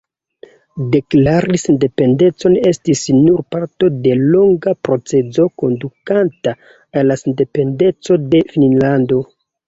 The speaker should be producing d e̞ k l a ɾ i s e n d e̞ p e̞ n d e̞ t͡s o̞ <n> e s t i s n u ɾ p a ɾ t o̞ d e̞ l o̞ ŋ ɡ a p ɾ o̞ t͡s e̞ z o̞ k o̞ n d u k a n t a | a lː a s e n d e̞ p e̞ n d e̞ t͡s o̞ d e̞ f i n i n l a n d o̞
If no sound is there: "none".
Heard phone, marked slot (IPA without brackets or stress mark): n